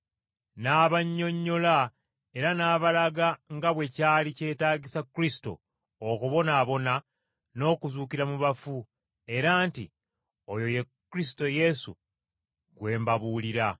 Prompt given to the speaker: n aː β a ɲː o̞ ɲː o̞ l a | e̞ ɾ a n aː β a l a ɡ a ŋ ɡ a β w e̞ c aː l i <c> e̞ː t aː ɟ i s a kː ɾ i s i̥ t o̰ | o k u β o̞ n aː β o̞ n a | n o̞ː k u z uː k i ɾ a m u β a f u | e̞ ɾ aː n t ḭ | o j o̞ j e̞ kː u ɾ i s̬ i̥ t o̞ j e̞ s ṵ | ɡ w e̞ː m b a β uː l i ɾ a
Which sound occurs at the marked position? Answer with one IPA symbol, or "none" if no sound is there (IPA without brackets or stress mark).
c